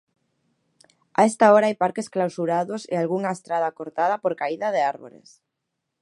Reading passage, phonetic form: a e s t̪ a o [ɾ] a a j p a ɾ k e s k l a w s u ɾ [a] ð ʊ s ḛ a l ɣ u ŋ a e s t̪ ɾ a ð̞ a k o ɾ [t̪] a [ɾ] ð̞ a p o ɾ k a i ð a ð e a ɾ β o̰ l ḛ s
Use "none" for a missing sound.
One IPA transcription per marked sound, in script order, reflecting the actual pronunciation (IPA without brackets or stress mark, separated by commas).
ɾ, a, t̪, none